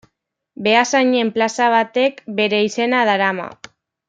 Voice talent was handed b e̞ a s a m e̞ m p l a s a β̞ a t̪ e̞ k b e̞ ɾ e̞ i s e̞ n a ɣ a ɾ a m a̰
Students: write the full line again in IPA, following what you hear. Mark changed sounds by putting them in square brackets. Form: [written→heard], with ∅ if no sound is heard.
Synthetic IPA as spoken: b e̞ a s a [m→ɲ] e̞ m p l a s a β̞ a t̪ e̞ k b e̞ ɾ e̞ i s e̞ n a [ɣ→ð] a ɾ a m a̰